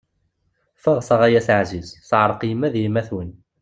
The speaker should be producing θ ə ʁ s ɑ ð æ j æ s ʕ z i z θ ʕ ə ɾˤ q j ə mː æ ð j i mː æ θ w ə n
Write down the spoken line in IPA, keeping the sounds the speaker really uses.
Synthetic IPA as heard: f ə ʁ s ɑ ʁ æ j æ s ʕ z i z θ ʕ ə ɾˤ q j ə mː æ ð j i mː æ θ w ə n